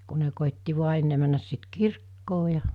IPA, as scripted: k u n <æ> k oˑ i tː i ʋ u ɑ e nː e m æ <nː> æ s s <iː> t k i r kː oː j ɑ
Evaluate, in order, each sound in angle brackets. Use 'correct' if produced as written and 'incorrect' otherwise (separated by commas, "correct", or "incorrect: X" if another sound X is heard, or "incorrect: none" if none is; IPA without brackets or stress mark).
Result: incorrect: e, correct, incorrect: i